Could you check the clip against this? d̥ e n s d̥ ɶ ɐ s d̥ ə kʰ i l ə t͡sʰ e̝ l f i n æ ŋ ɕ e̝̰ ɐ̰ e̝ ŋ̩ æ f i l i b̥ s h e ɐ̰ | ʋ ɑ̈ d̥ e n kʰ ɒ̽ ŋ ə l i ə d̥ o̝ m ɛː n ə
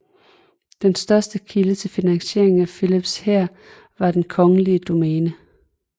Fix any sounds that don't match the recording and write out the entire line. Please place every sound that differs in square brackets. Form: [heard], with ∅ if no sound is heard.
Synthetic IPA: d̥ e n s d̥ ɶ ɐ s d̥ ə kʰ i l ə t͡sʰ e̝ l f i n æ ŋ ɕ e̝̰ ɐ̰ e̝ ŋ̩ æ f i l i b̥ s h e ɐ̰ | ʋ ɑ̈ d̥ e n kʰ ɒ̽ ŋ ə l i ə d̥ o̝ m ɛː n ə

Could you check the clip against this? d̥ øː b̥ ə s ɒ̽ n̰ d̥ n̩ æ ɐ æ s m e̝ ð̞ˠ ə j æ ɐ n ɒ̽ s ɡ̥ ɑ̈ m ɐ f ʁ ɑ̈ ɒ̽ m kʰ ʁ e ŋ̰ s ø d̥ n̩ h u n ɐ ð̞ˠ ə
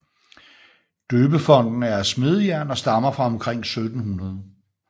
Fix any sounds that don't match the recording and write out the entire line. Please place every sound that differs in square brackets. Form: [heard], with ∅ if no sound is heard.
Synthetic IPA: d̥ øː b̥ ə [f] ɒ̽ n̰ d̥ n̩ æ ɐ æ s m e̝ ð̞ˠ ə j æ ɐ n ɒ̽ s [d̥] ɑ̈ m ɐ f ʁ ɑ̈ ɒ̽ m kʰ ʁ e ŋ̰ s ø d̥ n̩ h u n ɐ ð̞ˠ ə

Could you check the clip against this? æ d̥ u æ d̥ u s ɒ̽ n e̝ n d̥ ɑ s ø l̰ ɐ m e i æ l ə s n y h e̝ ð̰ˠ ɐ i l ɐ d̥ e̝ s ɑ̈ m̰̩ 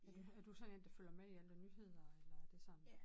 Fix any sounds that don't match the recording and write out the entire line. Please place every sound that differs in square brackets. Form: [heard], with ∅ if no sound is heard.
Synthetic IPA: æ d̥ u æ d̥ u s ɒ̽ n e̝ n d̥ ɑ [f] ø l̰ ɐ m e i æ l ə [∅] n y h e̝ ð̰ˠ ɐ [e] l ɐ d̥ e̝ s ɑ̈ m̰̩

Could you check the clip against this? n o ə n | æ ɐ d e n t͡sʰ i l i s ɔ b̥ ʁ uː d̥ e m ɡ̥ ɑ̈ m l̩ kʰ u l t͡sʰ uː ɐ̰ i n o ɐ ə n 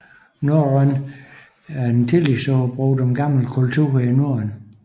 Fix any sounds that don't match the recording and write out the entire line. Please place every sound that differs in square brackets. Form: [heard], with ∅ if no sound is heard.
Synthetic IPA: n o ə n | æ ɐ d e n t͡sʰ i l i s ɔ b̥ ʁ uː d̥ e m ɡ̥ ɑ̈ m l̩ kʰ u l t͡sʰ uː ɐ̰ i n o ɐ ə n

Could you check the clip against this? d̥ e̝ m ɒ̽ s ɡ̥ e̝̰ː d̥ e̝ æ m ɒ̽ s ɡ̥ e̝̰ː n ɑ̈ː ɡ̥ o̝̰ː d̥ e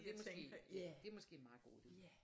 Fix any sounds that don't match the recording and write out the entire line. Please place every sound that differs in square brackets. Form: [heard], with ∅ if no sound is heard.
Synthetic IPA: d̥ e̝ m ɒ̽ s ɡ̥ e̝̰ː d̥ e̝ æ m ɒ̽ s ɡ̥ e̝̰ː [m] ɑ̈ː ɡ̥ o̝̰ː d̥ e

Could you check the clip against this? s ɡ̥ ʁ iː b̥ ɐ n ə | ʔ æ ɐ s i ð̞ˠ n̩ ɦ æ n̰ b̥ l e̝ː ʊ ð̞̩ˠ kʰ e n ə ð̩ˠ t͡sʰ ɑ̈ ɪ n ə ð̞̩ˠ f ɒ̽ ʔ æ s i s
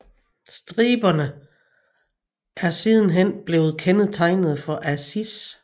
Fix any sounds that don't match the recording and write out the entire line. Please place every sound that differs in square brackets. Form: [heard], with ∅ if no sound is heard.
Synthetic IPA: s [d̥] ʁ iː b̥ ɐ n ə | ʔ æ ɐ s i ð̞ˠ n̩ ɦ [e] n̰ b̥ l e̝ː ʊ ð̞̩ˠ kʰ e n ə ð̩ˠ t͡sʰ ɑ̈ ɪ n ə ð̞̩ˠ f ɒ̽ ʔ æ s i s

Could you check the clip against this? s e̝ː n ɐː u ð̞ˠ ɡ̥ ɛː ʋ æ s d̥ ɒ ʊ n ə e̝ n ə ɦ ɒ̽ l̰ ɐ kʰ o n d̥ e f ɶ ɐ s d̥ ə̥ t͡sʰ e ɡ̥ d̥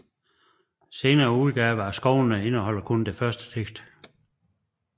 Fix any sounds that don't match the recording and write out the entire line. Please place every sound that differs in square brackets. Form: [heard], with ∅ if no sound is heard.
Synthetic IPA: s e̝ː n ɐː u ð̞ˠ ɡ̥ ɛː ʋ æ s [ɡ̥] ɒ ʊ n ə e̝ n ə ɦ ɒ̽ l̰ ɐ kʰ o n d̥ e f ɶ ɐ s d̥ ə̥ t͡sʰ e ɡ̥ d̥

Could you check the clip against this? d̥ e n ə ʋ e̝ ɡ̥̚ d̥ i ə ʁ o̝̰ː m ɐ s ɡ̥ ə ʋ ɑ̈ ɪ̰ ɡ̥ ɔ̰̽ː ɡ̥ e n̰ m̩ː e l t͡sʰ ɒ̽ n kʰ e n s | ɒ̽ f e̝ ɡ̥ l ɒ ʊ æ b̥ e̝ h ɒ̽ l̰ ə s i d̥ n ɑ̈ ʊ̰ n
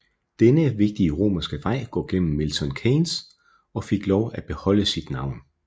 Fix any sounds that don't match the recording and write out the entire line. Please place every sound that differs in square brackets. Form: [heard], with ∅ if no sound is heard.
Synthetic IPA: d̥ e n ə ʋ e̝ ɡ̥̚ d̥ i ə ʁ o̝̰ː m ɐ s ɡ̥ ə ʋ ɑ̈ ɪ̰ ɡ̥ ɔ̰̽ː ɡ̥ e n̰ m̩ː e l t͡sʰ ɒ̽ n kʰ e n s | ɒ̽ f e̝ ɡ̥ l ɒ ʊ æ b̥ e̝ h ɒ̽ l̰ ə s i d̥ n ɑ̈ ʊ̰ n

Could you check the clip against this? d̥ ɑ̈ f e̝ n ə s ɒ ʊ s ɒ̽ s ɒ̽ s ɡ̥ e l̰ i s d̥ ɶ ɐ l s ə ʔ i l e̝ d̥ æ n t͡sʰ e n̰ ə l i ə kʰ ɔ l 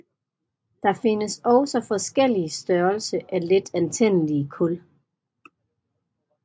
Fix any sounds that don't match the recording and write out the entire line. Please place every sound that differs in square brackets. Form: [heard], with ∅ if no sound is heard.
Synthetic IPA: d̥ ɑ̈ f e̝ n ə s ɒ ʊ s ɒ̽ [f] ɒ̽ s ɡ̥ e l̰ i s d̥ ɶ ɐ l s ə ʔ [æ] l e̝ d̥ æ n t͡sʰ e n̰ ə l i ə kʰ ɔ l

